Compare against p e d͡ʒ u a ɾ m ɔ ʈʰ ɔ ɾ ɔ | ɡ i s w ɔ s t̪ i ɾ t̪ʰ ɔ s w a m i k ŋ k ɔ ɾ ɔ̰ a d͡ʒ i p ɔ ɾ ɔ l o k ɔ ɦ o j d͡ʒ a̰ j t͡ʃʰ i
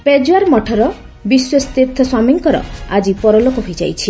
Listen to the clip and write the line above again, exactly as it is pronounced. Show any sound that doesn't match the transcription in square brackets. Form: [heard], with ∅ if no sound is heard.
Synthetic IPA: p e d͡ʒ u a ɾ m ɔ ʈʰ ɔ ɾ ɔ | [b] i s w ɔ s t̪ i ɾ t̪ʰ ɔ s w a m i [∅] ŋ k ɔ ɾ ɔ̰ a d͡ʒ i p ɔ ɾ ɔ l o k ɔ ɦ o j d͡ʒ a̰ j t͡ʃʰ i